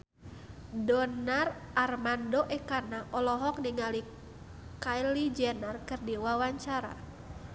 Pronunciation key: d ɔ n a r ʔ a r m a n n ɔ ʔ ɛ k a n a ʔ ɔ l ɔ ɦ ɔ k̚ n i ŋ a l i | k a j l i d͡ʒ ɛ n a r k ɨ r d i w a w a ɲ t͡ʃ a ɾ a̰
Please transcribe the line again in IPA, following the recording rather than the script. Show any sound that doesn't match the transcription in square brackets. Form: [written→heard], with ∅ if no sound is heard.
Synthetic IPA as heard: d ɔ n a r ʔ a r m a n [n→d] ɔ ʔ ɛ k a n a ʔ ɔ l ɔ ɦ ɔ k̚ n i ŋ a l i | k a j l i d͡ʒ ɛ n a r k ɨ r d i w a w a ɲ t͡ʃ a ɾ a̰